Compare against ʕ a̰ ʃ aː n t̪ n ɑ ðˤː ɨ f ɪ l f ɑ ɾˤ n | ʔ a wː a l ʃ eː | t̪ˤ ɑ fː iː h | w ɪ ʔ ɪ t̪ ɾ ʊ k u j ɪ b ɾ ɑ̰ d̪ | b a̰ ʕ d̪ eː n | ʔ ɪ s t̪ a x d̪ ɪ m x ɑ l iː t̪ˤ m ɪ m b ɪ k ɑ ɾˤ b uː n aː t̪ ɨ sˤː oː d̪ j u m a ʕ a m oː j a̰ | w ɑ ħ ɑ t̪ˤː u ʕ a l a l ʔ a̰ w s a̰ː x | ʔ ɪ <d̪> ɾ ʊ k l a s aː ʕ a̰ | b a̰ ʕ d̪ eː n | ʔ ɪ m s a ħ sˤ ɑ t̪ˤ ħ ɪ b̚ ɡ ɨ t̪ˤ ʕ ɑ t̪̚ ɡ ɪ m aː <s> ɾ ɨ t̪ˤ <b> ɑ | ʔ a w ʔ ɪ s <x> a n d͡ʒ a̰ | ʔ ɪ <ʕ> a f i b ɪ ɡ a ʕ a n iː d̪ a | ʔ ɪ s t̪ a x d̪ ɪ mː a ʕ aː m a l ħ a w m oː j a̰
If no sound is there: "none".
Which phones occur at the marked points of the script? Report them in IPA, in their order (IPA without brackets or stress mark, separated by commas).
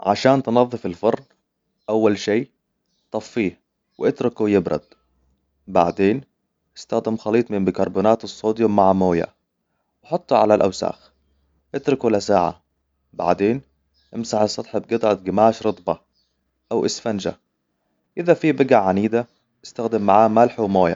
t̪, ʃ, b, f, ð